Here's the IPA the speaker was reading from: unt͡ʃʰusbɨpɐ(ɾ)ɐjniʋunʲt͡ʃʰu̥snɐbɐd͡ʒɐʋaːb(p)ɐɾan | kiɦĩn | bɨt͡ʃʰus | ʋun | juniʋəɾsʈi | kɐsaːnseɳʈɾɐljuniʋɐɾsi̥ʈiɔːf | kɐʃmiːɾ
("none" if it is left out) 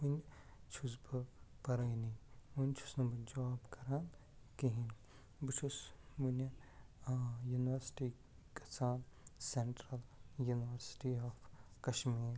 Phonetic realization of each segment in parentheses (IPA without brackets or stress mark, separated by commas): ɾ, k